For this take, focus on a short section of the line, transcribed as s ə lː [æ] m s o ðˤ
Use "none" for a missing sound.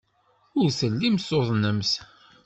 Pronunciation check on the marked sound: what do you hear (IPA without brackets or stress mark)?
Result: i